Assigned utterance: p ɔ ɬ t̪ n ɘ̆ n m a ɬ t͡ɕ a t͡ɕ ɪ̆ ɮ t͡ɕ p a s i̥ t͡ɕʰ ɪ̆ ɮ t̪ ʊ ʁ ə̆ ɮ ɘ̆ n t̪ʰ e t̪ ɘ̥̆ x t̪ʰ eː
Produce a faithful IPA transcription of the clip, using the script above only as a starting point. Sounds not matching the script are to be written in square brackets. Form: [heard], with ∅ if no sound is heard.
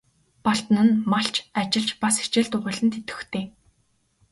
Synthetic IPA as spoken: p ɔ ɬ t̪ n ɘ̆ n m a ɬ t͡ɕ a t͡ɕ ɪ̆ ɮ t͡ɕ p a s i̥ [t͡ɕ] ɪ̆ ɮ t̪ ʊ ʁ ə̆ ɮ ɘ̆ n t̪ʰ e t̪ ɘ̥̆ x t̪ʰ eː